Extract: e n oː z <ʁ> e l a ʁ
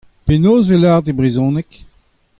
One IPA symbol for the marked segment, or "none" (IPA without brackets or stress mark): v